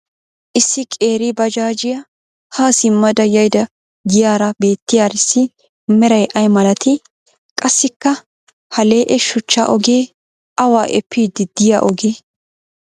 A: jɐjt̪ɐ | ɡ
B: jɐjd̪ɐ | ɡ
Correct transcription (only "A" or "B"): B